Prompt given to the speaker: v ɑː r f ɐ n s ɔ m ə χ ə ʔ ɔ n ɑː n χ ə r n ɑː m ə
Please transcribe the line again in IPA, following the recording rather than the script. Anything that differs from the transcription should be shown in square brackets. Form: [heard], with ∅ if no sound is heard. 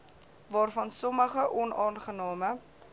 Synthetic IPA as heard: v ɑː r f ɐ n s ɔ m ə χ ə ʔ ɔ n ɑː n χ ə [∅] n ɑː m ə